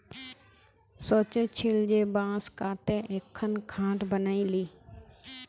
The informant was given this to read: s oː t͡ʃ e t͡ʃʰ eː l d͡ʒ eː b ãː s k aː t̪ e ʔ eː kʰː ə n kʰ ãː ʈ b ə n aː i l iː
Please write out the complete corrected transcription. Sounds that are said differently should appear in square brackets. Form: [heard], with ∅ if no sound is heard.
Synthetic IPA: s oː t͡ʃ e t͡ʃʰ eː l d͡ʒ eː b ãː s k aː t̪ e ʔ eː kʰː ə n kʰ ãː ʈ b ə n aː i l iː